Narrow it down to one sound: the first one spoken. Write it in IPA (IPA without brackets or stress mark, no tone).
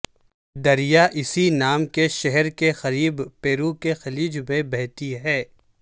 d̪